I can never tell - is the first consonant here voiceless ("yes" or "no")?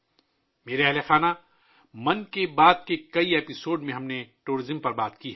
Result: no